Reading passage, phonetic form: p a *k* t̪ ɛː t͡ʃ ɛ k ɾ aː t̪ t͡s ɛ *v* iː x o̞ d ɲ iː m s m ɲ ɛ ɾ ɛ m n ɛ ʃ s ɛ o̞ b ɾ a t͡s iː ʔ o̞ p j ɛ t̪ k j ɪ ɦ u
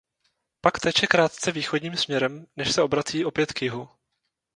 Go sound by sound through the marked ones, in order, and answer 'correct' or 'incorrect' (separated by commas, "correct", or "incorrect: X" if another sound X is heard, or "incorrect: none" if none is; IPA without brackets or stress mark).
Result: correct, correct